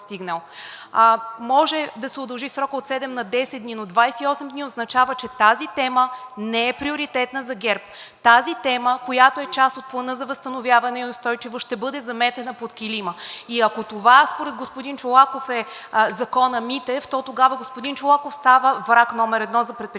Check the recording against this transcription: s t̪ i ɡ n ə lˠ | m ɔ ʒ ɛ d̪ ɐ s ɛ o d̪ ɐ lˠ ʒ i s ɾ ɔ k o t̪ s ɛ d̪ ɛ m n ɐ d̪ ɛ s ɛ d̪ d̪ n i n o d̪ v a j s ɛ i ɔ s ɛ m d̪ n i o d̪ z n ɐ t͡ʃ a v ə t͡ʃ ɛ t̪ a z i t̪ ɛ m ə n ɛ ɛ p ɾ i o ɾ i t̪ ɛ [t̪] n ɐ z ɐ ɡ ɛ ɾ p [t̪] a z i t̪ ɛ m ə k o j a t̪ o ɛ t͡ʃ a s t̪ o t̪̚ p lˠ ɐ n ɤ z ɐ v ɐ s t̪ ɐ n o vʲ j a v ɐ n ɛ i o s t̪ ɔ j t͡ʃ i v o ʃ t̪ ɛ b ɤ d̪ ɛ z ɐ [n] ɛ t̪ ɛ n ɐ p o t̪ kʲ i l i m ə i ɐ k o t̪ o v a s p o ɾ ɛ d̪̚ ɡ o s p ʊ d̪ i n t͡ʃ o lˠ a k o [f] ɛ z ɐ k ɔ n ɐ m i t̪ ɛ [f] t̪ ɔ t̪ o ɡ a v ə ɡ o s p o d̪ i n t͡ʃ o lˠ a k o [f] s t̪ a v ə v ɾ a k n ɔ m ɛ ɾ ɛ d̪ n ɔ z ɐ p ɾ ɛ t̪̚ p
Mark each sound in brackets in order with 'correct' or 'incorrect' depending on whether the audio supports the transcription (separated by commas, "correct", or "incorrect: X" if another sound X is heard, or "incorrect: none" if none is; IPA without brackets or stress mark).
correct, correct, incorrect: m, correct, correct, correct